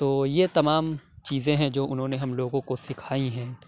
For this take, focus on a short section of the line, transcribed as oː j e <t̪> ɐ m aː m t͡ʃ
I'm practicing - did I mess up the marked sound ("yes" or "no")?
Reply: no